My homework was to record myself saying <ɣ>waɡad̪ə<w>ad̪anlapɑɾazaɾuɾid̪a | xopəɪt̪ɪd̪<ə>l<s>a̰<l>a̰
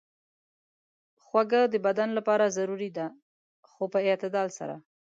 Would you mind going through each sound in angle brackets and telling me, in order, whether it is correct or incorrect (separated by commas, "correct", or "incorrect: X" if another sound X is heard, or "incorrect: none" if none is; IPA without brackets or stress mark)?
incorrect: x, incorrect: b, incorrect: ɑ, correct, incorrect: ɾ